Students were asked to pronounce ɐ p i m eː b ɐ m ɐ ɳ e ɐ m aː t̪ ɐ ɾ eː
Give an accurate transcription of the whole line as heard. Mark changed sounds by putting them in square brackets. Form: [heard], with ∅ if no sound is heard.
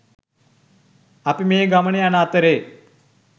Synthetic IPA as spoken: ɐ p i m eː [ɡ] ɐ m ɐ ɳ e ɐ [n] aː t̪ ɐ ɾ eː